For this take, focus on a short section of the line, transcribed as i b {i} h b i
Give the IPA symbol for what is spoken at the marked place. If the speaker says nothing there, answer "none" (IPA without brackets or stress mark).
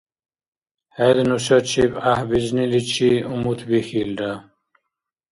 a